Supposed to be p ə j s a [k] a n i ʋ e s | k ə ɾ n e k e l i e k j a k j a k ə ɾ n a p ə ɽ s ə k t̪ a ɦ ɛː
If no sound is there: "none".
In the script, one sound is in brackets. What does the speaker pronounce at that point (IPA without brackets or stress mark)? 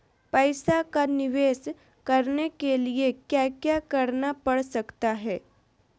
k